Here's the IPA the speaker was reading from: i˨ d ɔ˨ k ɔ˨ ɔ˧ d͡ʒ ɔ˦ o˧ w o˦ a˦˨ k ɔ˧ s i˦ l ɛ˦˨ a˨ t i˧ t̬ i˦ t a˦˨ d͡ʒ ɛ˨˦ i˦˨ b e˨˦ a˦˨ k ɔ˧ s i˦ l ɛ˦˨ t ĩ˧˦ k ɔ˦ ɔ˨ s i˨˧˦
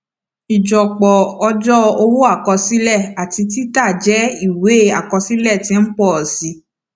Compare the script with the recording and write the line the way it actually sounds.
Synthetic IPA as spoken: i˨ d͡ʒ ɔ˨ k͡p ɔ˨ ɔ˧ d͡ʒ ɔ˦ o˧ w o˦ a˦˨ k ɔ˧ s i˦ l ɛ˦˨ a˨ t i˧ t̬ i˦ t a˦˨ d͡ʒ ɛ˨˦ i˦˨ w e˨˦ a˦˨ k ɔ˧ s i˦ l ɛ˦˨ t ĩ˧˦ k͡p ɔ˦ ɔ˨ s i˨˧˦

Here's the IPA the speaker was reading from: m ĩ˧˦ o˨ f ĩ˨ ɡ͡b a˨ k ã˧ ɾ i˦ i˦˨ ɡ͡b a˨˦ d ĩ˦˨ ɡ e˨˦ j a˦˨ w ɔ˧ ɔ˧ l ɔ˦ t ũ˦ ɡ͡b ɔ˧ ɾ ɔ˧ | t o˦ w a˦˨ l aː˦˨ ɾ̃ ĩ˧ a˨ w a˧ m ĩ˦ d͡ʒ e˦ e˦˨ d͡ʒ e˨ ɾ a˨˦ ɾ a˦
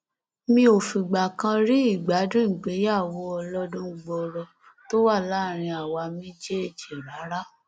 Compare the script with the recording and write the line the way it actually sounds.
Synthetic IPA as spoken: m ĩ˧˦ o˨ f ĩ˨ ɡ͡b a˨ k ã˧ ɾ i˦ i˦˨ ɡ͡b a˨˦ d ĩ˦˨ ɡ͡b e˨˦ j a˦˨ w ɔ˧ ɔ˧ l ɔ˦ d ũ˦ ɡ͡b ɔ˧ ɾ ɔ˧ | t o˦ w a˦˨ l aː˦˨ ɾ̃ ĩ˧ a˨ w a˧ m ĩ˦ d͡ʒ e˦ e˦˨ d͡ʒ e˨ ɾ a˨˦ ɾ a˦

